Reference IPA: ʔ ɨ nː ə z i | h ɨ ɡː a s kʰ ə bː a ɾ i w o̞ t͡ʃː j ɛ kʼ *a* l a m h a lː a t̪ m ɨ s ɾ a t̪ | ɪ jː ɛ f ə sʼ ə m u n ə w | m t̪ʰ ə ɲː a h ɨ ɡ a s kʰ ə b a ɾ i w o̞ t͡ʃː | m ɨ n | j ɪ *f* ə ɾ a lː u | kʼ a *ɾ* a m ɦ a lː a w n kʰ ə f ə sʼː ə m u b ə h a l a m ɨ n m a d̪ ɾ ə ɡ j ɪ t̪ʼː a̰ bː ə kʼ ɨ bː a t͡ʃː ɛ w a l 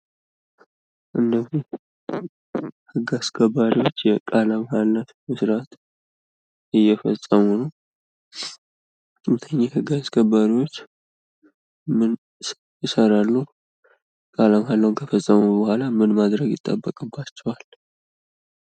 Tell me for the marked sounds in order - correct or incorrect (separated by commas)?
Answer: correct, incorrect, incorrect